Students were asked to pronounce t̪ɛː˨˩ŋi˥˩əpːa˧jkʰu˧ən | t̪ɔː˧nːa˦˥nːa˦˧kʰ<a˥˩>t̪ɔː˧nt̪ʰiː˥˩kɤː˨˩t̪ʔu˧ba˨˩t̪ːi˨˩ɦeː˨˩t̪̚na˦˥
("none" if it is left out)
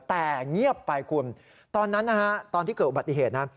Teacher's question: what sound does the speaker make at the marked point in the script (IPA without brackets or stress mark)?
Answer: a˦˥